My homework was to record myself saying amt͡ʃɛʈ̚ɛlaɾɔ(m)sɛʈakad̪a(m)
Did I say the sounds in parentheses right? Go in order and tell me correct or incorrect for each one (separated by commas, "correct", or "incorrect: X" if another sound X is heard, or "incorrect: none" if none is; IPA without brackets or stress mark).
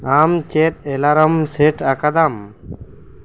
correct, correct